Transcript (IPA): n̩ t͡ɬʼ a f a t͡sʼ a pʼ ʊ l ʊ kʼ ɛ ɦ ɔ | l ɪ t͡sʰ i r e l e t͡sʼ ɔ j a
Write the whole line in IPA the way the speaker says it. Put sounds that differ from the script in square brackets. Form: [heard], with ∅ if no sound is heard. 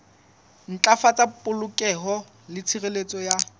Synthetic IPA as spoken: n̩ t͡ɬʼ a f a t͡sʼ a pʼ ʊ l ʊ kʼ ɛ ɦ ɔ | l ɪ t͡sʰ i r e l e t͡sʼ ɔ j a